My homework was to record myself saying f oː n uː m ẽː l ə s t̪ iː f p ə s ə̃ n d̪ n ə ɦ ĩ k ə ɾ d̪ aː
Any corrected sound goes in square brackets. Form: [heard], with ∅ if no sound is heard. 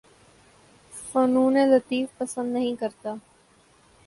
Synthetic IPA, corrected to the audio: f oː n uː [n] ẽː l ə [∅] t̪ iː f p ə s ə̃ n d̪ n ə ɦ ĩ k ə ɾ [t̪] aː